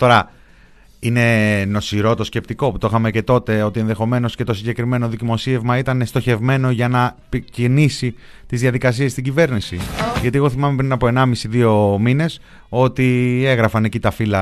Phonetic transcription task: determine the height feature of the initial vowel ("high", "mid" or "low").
mid